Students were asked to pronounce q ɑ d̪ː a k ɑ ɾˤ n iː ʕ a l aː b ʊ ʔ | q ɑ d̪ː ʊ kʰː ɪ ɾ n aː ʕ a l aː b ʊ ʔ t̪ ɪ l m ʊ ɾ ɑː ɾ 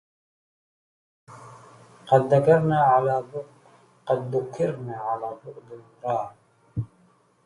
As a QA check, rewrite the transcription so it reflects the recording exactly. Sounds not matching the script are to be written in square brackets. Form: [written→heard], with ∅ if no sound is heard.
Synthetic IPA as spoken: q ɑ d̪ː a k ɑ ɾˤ n [iː→aː] ʕ a l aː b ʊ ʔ | q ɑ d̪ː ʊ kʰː ɪ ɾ n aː ʕ a l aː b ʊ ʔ [t̪→d̪] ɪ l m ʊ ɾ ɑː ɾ